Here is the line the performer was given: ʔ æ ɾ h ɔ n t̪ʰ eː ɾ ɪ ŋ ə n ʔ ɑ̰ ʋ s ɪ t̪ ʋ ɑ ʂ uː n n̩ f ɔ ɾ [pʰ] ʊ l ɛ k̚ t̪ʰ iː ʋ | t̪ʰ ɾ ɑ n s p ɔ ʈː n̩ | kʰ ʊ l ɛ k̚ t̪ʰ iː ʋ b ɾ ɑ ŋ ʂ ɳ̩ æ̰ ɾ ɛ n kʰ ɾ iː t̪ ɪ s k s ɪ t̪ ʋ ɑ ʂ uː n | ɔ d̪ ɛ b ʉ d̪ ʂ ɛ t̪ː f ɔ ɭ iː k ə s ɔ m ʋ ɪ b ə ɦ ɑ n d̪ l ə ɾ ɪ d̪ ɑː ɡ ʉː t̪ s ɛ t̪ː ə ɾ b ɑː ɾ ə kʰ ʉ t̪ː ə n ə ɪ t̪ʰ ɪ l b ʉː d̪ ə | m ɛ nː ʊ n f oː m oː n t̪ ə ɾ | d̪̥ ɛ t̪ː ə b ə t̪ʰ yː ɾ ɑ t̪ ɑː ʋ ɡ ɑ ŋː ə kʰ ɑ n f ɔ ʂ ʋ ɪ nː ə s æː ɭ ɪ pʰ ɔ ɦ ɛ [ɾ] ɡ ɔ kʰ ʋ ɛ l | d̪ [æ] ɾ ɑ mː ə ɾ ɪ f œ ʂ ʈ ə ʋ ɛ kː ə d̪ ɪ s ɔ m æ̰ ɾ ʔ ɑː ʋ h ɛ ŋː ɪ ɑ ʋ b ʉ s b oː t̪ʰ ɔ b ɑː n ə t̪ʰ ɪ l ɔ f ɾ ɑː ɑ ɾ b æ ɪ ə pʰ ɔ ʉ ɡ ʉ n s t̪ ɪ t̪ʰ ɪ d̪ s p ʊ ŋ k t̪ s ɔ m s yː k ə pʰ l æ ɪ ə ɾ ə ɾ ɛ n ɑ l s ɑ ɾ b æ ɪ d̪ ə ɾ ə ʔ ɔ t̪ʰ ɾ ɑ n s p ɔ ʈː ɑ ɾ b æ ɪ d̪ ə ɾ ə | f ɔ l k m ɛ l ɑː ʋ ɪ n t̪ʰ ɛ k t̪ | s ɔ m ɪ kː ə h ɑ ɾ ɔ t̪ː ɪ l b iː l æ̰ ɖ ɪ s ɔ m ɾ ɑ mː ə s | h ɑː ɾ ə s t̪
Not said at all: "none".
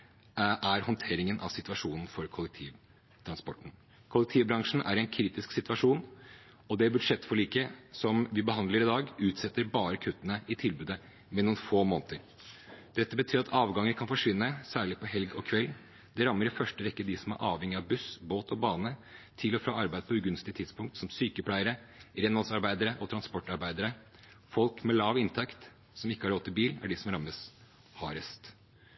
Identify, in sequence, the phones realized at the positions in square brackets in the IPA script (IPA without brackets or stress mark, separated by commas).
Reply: kʰ, l, ɛ